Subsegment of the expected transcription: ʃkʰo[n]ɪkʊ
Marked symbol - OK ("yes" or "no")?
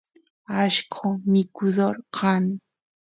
no